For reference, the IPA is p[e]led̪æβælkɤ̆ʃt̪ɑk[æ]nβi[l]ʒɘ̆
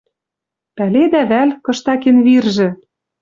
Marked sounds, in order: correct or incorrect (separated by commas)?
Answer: incorrect, incorrect, incorrect